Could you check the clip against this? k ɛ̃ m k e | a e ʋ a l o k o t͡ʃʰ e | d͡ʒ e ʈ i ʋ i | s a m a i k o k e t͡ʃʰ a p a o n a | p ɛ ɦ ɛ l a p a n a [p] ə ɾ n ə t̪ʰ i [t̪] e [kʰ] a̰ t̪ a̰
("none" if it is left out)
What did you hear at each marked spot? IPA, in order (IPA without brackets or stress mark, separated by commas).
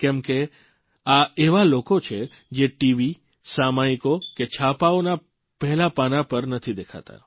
p, d̪, kʰ